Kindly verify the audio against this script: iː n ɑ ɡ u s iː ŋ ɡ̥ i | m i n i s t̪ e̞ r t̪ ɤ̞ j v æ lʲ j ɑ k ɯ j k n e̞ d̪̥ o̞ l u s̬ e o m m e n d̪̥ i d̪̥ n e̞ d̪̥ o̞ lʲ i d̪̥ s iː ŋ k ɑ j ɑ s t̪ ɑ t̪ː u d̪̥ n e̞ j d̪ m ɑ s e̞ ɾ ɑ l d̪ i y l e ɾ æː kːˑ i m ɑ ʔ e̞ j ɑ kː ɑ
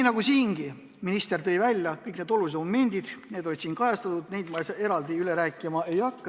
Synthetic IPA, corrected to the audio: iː n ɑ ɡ u s iː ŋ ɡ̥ i | m i n i s t̪ e̞ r t̪ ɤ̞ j v æ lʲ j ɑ k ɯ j k n e̞ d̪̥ o̞ l u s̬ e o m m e n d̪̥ i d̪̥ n e̞ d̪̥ o̞ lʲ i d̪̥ s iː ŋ k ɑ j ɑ s t̪ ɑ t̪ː u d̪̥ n e̞ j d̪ m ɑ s e̞ ɾ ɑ l d̪ i y l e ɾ æː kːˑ i m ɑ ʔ e̞ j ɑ kː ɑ